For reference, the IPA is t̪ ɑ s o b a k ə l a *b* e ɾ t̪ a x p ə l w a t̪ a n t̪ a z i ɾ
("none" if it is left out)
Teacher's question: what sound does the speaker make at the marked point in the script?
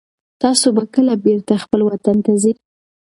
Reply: b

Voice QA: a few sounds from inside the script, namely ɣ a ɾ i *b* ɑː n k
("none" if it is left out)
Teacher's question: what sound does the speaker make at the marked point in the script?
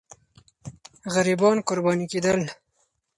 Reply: b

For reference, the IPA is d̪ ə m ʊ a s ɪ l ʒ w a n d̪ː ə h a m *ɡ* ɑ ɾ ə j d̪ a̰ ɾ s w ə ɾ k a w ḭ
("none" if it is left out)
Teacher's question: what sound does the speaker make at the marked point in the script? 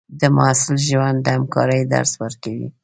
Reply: k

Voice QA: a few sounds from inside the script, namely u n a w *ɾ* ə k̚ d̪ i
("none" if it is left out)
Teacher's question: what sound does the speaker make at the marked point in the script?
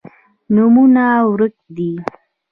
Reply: ɾ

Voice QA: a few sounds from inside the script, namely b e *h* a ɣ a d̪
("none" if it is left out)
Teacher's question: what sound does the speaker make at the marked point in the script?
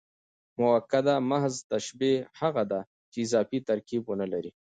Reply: h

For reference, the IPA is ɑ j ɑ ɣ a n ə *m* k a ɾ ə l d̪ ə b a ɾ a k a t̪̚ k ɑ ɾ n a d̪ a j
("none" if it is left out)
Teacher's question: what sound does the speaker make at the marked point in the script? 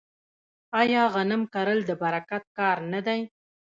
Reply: m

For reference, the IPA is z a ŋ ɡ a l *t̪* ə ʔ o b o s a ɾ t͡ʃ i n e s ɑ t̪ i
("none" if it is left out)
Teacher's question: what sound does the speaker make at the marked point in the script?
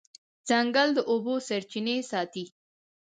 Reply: d̪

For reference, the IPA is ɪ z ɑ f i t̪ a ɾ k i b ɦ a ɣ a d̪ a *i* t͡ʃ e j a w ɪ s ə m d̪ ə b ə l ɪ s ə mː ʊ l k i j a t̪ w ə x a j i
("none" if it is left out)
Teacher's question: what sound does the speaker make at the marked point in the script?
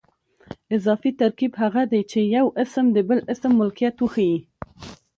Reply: j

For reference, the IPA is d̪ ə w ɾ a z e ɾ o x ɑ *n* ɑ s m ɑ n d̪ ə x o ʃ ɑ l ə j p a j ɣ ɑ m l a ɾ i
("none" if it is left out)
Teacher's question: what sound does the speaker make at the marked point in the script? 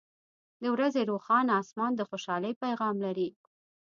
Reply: n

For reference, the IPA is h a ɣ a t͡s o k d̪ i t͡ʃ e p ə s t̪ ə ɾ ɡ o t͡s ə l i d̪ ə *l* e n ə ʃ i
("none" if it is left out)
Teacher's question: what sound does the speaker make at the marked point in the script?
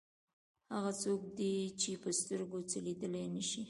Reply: l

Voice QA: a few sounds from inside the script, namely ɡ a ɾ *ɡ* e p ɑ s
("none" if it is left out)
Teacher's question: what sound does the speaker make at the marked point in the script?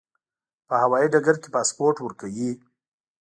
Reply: k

